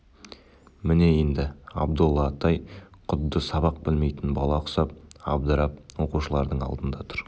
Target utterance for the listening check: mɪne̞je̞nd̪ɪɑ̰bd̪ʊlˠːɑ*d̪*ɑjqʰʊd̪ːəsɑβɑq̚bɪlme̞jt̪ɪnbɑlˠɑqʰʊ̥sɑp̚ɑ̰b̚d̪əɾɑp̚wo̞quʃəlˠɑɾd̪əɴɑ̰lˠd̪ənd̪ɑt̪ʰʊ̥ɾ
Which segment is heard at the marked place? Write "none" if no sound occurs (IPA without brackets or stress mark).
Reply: t̪